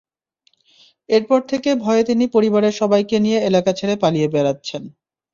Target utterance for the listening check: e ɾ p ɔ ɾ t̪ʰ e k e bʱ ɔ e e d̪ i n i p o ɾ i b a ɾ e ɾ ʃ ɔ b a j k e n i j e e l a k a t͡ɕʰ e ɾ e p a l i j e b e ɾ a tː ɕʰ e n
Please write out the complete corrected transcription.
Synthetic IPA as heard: e ɾ p ɔ ɾ t̪ʰ e k e bʱ ɔ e e t̪ i n i p o ɾ i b a ɾ e ɾ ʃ ɔ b a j k e n i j e e l a k a t͡ɕʰ e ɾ e p a l i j e b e ɾ a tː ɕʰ e n